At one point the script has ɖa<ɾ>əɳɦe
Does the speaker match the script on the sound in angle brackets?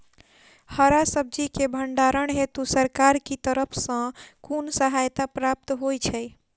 yes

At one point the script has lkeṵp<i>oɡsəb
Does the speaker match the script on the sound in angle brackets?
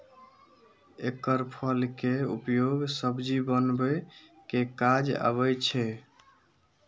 no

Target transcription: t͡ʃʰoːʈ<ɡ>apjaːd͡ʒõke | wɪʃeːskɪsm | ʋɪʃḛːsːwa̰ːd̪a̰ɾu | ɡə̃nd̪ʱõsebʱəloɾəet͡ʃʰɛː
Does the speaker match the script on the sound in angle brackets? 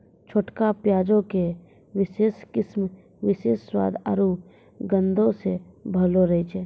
no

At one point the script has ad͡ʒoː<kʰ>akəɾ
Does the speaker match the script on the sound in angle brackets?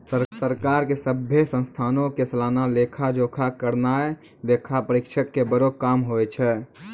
yes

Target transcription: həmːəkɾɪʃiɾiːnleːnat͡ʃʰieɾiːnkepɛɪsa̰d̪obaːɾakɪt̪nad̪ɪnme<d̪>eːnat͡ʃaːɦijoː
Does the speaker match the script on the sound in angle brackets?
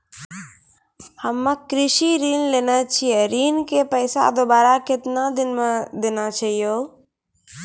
yes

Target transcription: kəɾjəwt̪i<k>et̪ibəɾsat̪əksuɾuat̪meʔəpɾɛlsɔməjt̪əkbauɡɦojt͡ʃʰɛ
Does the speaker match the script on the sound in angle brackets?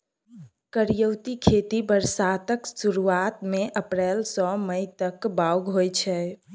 no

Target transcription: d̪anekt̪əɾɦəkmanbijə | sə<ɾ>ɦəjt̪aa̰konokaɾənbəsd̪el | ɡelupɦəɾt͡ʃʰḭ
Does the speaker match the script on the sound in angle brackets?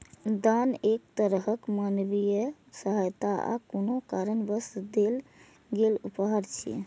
no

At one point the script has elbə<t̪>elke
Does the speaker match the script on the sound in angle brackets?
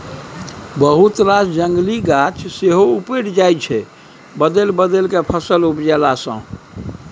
no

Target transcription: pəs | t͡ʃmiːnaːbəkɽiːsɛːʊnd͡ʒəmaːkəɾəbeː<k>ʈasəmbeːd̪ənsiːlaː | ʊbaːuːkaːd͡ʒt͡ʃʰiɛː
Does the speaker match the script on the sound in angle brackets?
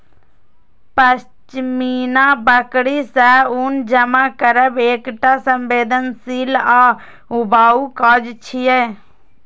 yes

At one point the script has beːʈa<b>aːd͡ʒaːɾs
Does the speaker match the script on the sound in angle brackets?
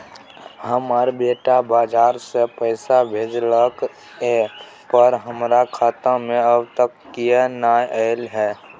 yes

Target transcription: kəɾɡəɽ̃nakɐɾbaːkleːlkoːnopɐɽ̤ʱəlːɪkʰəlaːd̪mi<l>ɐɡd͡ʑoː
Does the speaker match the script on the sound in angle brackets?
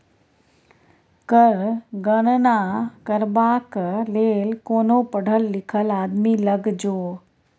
yes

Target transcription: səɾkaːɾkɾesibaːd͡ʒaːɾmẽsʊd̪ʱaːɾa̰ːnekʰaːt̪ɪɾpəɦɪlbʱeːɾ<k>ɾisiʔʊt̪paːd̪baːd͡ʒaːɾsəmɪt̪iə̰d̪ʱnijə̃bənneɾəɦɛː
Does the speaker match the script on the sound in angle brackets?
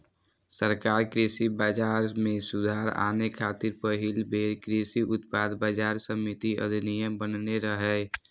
yes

